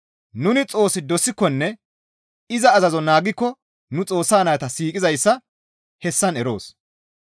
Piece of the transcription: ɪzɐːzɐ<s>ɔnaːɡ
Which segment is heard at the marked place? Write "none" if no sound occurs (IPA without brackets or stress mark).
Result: z